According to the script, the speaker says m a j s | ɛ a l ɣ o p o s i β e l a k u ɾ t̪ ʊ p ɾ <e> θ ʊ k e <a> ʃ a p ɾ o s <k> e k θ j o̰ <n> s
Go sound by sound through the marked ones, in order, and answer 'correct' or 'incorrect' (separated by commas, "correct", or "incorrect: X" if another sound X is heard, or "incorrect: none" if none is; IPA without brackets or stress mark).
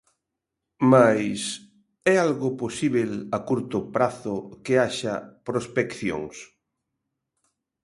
incorrect: a, correct, incorrect: p, incorrect: ŋ